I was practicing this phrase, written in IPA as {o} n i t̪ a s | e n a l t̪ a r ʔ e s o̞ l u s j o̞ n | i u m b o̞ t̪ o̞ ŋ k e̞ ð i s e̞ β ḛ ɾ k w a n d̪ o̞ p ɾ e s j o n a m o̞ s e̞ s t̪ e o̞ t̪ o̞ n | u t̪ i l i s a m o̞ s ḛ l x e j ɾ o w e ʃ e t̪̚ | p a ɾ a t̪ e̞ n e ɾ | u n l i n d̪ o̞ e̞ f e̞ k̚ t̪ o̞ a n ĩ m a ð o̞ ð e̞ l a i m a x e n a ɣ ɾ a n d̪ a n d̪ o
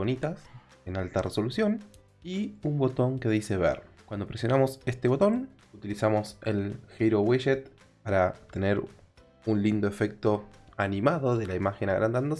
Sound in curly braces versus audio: correct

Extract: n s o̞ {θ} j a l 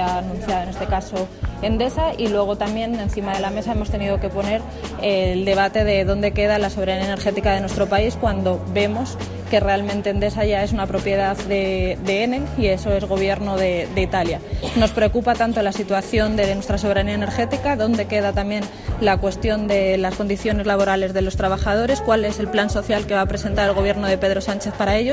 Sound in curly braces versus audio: correct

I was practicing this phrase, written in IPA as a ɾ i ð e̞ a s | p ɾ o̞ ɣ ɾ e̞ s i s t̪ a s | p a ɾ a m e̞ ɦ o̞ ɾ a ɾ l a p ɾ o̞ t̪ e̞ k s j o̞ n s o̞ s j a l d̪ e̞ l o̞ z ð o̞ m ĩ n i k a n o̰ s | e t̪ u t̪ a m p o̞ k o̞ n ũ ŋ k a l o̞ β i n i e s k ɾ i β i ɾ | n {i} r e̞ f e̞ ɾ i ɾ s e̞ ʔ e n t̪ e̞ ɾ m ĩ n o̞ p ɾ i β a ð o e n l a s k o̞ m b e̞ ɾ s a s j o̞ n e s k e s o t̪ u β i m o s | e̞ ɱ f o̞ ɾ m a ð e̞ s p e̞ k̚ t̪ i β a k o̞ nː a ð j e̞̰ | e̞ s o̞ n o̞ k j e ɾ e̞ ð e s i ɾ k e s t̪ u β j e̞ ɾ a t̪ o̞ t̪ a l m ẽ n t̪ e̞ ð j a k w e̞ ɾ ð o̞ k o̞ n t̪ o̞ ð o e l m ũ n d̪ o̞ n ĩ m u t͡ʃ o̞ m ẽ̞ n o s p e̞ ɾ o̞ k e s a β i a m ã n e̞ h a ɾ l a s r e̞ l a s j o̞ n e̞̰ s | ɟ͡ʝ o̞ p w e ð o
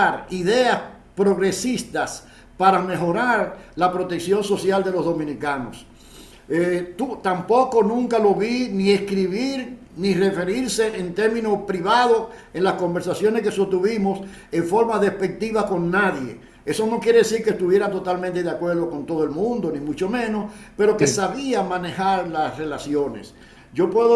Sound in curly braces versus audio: correct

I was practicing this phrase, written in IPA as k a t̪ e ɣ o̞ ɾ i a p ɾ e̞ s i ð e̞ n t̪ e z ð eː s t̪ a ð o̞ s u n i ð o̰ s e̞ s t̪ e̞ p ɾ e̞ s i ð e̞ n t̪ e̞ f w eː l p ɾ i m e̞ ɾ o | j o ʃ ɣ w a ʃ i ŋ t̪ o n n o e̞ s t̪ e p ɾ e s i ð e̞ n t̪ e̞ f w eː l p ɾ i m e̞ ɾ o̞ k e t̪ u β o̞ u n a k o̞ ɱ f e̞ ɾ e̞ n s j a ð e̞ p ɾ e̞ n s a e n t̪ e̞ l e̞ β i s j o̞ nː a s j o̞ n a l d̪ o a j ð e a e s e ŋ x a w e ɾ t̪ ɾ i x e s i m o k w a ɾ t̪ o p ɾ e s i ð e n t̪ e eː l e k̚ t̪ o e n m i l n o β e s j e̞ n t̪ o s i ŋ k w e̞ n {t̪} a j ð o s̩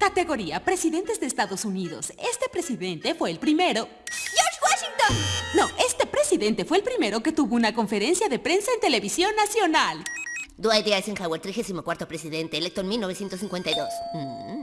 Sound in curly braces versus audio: correct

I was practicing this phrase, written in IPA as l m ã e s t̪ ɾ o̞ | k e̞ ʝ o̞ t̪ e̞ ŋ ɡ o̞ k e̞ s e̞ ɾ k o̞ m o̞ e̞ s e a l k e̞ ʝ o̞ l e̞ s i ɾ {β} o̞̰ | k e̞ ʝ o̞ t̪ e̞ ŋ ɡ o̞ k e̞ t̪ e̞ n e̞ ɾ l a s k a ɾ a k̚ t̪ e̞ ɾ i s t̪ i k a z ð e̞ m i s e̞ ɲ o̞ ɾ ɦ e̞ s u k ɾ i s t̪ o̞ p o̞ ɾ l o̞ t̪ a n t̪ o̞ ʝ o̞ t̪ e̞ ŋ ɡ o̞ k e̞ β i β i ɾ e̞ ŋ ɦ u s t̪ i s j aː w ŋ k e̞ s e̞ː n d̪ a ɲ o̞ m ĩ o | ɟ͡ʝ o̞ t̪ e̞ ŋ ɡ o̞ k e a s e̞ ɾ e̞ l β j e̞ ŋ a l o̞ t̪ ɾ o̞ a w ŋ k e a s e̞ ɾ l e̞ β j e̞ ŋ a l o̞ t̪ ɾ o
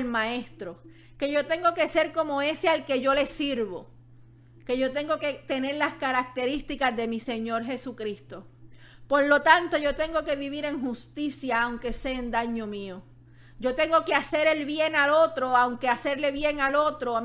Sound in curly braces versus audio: correct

